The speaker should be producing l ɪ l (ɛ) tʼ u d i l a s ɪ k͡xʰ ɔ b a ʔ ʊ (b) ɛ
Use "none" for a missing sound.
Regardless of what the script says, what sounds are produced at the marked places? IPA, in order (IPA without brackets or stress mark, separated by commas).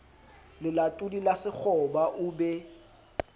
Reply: a, b